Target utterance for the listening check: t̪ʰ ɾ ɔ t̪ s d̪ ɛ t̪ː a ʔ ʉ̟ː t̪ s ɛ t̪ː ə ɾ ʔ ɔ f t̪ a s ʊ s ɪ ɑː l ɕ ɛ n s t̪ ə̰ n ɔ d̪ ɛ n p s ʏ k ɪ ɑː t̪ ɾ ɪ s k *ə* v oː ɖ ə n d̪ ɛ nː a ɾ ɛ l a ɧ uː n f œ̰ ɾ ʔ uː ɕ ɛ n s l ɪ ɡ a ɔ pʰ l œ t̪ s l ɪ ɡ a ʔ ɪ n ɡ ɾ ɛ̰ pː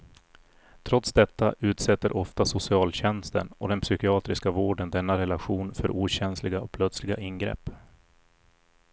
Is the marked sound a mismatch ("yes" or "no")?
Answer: yes